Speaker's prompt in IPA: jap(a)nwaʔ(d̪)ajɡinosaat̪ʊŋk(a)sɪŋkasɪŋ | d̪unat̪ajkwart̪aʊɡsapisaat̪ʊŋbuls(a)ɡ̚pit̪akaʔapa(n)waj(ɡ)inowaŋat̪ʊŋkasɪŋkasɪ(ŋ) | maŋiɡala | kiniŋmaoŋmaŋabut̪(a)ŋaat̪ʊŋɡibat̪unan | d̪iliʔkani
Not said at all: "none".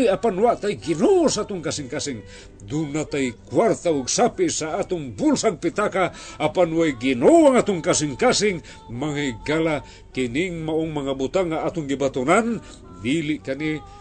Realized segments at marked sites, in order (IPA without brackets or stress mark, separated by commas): a, t̪, a, a, n, ɡ, ŋ, a